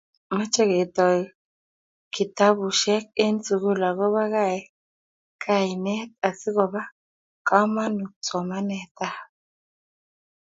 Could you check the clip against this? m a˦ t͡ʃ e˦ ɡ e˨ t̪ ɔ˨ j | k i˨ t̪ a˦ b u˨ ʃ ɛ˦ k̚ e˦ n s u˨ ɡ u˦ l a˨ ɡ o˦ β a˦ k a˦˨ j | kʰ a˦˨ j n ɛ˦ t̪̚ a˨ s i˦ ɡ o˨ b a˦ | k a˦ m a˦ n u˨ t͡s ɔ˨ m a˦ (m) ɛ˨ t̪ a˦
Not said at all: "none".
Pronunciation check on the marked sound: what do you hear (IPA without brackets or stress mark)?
n